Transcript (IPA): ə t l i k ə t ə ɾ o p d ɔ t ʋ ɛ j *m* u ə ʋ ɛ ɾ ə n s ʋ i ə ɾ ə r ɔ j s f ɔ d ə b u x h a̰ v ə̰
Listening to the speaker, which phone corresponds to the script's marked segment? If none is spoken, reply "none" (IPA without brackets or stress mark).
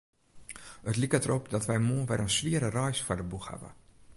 m